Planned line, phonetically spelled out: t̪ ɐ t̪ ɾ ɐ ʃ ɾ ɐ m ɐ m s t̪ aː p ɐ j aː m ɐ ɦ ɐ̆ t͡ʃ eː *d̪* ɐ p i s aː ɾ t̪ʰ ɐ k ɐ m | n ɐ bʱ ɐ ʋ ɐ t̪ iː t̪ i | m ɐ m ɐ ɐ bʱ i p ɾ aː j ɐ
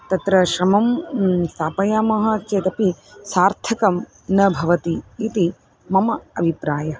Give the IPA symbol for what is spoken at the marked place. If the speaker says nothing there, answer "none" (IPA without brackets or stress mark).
t̪